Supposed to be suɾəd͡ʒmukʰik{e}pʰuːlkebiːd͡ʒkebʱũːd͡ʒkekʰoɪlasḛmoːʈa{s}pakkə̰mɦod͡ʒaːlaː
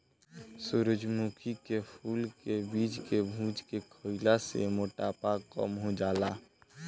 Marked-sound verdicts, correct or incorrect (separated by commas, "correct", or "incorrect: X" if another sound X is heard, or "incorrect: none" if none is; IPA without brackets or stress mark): correct, incorrect: none